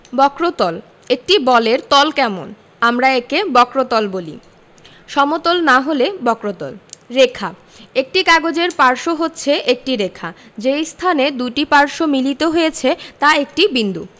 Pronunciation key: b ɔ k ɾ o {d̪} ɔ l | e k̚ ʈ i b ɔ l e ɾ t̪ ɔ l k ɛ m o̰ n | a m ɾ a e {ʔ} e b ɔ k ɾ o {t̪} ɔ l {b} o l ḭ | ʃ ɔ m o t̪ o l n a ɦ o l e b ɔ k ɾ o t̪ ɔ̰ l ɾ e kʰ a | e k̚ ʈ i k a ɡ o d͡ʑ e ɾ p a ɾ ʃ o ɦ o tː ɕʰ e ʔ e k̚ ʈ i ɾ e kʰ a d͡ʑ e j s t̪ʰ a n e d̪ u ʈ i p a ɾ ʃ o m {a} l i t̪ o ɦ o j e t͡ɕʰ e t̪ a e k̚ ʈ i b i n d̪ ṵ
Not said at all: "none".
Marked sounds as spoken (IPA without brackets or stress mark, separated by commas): t̪, k, t̪, b, i